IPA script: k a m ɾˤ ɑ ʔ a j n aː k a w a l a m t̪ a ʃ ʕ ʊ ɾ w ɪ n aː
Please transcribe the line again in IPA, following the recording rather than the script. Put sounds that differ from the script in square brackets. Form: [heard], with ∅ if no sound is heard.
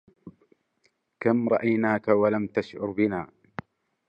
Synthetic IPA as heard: k a m ɾˤ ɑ ʔ a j n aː k a w a l a m t̪ a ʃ ʕ ʊ ɾ [b] ɪ n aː